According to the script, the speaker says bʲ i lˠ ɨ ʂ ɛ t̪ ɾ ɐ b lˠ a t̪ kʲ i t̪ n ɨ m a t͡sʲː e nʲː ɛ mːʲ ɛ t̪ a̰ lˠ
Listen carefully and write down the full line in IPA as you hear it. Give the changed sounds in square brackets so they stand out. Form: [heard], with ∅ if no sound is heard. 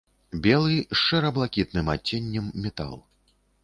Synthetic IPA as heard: bʲ [ɛ] lˠ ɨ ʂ ɛ [∅] ɾ ɐ b lˠ a [∅] kʲ i t̪ n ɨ m a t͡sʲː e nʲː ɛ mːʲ ɛ t̪ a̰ lˠ